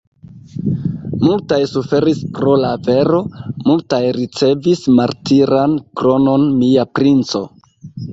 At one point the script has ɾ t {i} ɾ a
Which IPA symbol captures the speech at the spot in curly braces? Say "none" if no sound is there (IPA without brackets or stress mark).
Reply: i